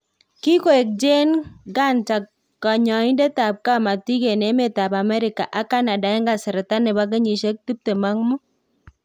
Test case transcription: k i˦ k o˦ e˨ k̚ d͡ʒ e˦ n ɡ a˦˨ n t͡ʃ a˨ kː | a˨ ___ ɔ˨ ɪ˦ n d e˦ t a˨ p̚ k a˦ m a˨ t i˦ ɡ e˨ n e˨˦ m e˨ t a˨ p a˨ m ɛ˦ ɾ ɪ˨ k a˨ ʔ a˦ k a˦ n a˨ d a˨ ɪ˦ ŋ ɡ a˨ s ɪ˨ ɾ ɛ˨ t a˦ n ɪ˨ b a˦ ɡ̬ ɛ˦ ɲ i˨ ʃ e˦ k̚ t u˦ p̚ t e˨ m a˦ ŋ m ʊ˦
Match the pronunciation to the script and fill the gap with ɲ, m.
ɲ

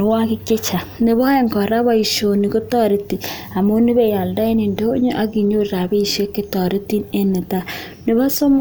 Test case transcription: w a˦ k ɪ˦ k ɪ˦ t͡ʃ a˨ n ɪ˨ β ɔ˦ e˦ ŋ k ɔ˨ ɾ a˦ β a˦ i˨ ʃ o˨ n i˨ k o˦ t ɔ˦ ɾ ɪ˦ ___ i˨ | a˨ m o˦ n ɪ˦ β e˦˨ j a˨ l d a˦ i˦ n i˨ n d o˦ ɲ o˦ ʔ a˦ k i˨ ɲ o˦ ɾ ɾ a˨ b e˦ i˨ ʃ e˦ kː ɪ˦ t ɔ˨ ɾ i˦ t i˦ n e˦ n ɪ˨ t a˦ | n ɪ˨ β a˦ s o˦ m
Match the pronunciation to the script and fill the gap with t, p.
t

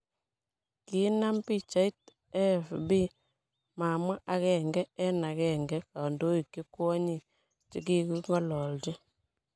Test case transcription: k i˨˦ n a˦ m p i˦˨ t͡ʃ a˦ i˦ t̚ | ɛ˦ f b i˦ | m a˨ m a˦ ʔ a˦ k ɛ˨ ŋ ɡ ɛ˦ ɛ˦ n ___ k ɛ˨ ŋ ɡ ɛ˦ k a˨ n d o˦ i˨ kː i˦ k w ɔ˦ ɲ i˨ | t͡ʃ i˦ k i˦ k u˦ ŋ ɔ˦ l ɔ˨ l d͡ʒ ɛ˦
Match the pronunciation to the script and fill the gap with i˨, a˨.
a˨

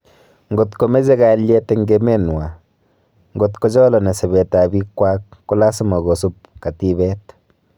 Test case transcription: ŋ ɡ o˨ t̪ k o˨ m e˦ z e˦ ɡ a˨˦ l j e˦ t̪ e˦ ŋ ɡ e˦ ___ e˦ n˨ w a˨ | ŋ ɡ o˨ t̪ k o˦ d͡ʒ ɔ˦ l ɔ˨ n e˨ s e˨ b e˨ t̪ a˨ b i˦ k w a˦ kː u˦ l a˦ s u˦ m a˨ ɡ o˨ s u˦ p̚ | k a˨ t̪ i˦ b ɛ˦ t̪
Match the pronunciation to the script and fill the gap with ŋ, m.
m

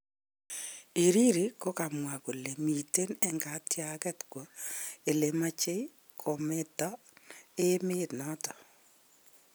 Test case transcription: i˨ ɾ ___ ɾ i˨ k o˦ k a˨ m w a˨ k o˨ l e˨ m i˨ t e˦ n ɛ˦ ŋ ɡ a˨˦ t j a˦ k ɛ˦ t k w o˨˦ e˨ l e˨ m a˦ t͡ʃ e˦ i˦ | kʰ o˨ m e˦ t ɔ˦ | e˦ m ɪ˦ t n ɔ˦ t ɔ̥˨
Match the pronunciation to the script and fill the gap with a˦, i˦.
i˦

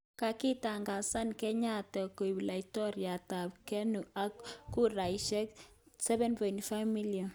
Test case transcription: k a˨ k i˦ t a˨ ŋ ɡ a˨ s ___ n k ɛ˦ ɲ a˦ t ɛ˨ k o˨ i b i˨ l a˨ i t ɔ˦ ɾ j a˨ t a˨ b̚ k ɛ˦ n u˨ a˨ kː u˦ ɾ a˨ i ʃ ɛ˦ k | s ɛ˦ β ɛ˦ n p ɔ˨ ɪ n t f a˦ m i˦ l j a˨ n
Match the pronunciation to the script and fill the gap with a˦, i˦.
a˦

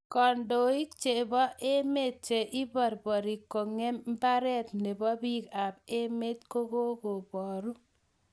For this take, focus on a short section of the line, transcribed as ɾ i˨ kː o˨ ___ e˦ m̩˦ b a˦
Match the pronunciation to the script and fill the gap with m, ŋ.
ŋ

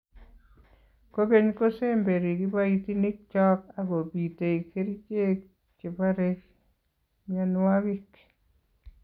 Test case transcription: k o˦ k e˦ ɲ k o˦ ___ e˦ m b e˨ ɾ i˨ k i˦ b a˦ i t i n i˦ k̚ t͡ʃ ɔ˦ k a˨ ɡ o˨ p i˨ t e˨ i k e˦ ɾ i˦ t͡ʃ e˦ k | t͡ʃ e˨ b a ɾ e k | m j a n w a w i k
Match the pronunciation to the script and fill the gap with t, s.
s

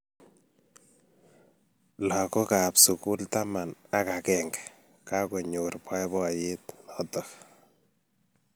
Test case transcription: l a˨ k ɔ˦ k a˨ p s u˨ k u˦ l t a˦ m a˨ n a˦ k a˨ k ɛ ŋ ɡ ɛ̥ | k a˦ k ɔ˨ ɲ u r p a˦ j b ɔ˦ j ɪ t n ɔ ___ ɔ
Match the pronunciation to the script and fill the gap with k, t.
t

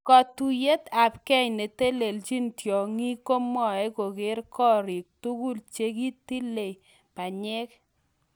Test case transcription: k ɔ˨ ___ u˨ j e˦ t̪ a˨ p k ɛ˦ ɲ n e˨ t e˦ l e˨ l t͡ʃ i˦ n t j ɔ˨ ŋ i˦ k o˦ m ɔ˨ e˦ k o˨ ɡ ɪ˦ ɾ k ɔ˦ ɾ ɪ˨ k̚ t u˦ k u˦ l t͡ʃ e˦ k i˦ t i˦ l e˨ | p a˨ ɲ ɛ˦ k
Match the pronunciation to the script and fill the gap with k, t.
t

